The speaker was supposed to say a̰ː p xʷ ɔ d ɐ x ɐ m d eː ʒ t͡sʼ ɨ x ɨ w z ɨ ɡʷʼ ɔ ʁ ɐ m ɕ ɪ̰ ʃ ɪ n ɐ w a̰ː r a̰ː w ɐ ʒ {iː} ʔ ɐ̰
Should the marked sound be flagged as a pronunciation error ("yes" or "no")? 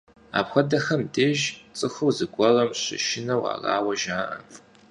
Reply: yes